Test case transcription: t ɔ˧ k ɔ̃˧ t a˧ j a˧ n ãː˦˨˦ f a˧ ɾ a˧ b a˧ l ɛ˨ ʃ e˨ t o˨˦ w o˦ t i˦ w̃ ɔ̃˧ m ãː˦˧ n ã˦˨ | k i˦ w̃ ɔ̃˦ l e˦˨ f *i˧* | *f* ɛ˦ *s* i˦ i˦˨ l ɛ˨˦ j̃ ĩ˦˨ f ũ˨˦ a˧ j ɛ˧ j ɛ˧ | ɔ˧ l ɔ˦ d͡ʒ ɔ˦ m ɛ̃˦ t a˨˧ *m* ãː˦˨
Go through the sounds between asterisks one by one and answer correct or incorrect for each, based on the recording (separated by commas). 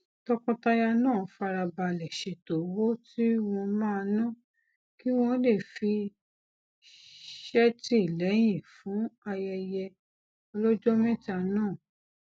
correct, incorrect, incorrect, incorrect